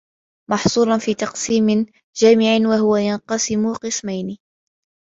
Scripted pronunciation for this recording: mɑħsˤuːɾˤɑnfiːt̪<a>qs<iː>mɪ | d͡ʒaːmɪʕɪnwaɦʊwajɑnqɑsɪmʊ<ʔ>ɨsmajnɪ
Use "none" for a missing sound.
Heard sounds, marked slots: ɑ, iː, q

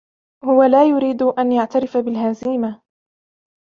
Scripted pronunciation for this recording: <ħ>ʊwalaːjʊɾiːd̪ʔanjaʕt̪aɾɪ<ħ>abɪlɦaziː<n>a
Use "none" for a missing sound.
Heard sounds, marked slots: h, f, m

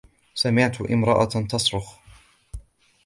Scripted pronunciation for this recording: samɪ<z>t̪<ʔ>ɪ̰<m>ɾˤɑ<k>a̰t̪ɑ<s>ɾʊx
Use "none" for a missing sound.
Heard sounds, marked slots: ʕ, ʔ, m, ʔ, s

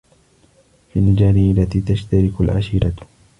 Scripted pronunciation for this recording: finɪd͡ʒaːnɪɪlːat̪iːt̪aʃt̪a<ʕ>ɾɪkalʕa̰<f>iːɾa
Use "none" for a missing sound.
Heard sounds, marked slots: none, ʃ

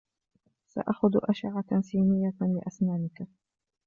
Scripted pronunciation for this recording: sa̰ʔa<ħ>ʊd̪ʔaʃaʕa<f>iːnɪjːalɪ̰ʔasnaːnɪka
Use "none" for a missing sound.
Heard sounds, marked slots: x, s

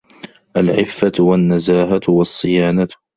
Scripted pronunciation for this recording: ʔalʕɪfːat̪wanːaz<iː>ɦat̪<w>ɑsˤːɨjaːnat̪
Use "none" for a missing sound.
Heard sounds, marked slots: aː, w

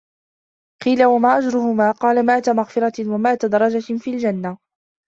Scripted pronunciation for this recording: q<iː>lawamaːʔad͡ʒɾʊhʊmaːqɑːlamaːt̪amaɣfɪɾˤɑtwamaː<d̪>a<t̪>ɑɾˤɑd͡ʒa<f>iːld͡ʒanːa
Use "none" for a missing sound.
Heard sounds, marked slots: iː, t̪, d̪, f

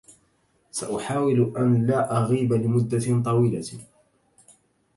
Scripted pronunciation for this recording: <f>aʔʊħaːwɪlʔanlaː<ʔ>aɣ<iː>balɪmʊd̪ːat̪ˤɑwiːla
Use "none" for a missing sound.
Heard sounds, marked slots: s, ʔ, iː

